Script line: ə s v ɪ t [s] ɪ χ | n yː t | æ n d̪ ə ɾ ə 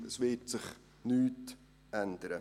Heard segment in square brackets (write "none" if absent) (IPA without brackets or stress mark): s